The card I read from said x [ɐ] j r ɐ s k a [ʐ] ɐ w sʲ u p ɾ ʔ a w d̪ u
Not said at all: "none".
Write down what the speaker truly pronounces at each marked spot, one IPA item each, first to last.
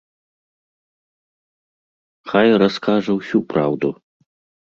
a, ʐ

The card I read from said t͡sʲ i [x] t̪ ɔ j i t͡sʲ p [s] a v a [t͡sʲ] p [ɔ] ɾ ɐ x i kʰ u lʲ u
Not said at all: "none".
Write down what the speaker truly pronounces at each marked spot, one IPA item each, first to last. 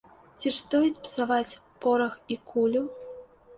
ʂ, s, t͡sʲ, ɔ

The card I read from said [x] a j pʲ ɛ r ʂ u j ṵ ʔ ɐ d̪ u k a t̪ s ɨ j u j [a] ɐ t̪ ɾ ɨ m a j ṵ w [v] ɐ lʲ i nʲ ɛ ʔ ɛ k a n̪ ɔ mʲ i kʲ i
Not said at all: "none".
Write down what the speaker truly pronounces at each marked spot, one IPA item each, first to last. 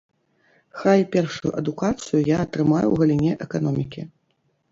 x, a, ɣ

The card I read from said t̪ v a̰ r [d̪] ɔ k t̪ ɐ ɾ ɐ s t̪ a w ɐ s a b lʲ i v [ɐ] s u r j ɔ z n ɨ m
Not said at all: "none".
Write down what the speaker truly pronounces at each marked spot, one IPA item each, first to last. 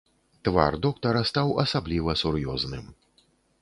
d̪, ɐ

